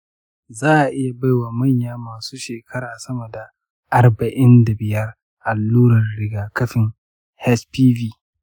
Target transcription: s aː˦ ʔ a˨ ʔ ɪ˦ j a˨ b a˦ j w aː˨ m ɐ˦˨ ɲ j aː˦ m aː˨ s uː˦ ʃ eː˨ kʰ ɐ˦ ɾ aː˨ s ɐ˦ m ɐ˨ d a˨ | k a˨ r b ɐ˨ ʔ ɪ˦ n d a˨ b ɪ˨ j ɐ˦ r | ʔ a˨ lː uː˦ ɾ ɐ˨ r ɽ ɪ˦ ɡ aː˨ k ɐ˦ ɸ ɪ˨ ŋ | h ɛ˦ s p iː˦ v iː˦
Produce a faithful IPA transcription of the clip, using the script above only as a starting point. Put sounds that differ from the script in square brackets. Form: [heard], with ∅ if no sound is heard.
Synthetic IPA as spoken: [z] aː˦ ʔ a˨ ʔ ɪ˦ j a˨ b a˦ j w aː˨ m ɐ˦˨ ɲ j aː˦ m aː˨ s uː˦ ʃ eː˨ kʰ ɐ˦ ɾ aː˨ s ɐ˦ m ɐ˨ d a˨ | [ʔ] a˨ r b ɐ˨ ʔ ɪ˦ n d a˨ b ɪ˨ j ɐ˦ r | ʔ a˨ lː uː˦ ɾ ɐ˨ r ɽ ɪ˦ ɡ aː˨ k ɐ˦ ɸ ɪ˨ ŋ | h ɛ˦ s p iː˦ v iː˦